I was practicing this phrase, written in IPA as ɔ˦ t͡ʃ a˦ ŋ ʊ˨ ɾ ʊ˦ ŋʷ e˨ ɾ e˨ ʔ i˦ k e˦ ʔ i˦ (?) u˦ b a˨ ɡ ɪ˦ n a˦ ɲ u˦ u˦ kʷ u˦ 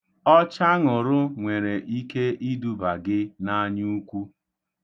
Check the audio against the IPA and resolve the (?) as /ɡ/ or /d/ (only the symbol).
d